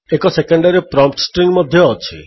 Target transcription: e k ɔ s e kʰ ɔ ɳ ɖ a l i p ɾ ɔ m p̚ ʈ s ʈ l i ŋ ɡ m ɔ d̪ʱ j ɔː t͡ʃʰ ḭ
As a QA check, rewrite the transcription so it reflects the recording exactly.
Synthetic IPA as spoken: e k ɔ s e k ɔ ɳ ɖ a ɾ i p ɾ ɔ m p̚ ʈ s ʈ ɾ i ŋ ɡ m ɔ d̪ʱ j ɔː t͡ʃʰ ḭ